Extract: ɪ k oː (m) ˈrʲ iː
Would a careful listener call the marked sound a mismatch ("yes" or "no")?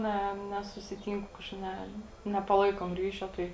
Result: no